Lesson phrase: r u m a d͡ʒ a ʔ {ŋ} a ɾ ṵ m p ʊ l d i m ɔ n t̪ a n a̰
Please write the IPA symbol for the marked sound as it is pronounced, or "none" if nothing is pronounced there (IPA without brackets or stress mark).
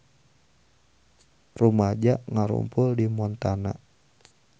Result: ŋ